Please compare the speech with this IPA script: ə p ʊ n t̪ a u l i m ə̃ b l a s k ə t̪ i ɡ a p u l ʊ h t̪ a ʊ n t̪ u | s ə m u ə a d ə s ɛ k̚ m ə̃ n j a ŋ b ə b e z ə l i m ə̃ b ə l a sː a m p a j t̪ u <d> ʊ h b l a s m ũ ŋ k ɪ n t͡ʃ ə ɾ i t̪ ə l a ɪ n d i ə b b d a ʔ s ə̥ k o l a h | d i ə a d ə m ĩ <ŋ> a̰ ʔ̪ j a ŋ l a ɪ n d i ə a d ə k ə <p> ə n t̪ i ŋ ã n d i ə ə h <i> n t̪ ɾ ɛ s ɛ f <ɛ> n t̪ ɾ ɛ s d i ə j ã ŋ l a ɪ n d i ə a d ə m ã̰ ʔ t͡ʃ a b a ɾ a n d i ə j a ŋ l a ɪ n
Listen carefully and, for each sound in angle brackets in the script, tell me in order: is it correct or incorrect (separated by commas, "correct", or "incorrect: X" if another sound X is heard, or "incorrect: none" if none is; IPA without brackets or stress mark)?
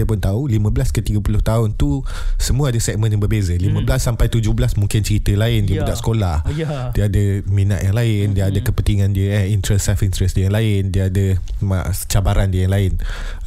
incorrect: d͡ʒ, incorrect: n, correct, correct, incorrect: i